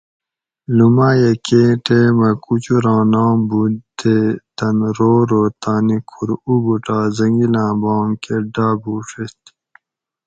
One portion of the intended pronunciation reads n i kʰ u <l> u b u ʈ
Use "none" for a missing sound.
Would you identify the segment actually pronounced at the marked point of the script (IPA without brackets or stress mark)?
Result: ɾ